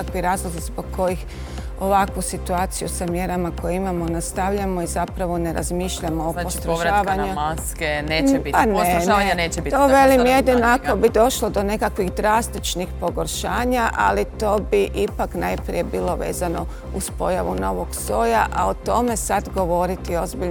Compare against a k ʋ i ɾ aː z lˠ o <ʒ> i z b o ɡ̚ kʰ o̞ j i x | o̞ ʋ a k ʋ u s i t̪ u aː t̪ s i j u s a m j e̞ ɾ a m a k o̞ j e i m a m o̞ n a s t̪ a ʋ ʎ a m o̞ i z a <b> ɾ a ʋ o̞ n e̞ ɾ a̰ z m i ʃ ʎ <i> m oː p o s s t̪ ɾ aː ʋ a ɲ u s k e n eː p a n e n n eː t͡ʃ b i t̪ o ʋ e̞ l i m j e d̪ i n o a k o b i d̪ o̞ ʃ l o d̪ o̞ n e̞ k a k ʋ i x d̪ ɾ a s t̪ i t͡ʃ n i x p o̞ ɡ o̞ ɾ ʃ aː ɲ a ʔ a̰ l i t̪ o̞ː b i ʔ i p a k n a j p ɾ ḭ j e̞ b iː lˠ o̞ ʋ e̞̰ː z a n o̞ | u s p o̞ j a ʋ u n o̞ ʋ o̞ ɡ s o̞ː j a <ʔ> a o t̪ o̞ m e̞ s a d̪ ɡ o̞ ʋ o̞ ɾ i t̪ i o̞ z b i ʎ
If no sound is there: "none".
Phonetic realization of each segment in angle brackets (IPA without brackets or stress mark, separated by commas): z, p, a, ʔ